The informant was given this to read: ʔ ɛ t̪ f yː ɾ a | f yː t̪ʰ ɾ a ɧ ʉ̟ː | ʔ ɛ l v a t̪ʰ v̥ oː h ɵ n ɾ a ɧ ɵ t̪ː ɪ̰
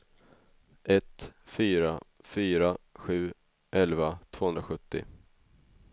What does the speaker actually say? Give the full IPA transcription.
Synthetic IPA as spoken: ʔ ɛ t̪ f yː ɾ a | f yː ɾ a ɧ ʉ̟ː | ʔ ɛ l v a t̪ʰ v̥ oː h ɵ n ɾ a ɧ ɵ t̪ː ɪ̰